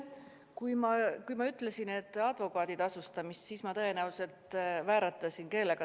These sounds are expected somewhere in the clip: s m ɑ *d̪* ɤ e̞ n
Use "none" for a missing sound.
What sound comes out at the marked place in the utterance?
t̪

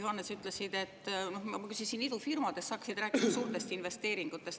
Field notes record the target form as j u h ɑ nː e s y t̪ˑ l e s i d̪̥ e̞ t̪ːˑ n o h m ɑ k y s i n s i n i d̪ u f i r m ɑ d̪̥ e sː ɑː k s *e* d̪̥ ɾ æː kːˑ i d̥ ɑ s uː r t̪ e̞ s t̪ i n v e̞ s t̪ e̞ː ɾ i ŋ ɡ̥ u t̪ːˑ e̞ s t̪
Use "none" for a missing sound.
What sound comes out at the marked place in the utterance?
i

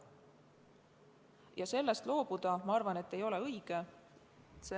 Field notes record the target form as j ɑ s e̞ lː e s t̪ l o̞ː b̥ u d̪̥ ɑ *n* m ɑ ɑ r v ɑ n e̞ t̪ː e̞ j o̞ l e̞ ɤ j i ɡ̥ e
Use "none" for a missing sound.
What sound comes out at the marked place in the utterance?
none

